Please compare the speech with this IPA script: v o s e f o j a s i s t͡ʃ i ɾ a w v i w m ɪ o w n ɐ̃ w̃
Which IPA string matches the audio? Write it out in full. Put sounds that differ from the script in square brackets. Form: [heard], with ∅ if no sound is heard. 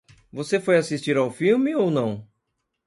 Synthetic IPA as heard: v o s e f o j a s i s t͡ʃ i ɾ a w [f] i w m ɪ o w n ɐ̃ w̃